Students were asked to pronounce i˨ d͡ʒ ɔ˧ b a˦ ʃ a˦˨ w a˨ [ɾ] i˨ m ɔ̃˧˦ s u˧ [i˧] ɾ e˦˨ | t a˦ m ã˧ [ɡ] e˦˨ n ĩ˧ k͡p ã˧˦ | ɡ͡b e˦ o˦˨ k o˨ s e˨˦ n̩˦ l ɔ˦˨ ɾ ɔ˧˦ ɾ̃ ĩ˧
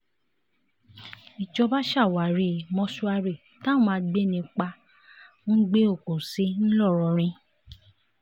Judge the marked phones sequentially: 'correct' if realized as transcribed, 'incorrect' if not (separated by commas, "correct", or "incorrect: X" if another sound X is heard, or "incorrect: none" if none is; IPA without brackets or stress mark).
correct, incorrect: a˧, incorrect: ɡ͡b